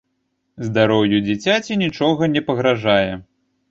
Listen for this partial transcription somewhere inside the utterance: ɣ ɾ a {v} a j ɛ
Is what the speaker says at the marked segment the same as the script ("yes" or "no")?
no